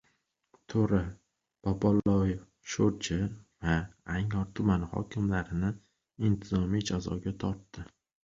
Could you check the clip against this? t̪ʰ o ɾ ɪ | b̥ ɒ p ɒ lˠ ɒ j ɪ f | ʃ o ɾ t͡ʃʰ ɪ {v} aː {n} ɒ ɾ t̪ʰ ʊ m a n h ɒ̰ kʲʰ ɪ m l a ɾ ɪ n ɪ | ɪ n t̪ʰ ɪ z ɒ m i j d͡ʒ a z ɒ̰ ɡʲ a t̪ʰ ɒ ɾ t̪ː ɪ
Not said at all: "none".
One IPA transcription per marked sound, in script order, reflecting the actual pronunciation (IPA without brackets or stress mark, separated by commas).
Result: v, ŋ